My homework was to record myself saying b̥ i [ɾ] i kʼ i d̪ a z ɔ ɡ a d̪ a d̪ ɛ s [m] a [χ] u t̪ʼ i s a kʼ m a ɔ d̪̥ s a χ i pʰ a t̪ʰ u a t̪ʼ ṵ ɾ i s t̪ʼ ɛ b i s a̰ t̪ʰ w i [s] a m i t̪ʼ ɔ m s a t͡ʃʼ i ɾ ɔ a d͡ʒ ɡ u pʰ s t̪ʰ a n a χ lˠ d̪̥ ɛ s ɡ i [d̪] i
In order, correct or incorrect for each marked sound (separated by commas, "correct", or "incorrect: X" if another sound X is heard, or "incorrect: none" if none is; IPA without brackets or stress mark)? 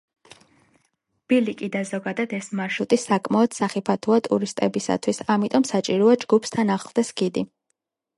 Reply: incorrect: l, correct, incorrect: ʃ, correct, correct